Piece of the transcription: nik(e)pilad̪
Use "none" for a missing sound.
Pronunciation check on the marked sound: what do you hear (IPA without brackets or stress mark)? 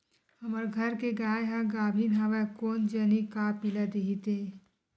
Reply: a